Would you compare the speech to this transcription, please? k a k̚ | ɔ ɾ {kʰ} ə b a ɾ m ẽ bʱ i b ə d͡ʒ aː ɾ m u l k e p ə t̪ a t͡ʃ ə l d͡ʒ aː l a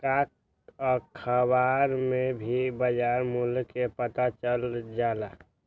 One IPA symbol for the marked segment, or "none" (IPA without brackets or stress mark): kʰ